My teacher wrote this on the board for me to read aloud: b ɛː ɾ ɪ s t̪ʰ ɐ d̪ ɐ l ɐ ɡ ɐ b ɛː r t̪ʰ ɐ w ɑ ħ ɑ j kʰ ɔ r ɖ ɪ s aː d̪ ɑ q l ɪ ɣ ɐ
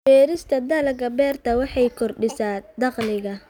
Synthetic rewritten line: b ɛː ɾ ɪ s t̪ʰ ɐ d̪ ɐ l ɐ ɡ ɐ b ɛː r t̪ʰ ɐ w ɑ ħ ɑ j kʰ ɔ r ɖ ɪ s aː d̪ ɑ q l ɪ ɣ ɐ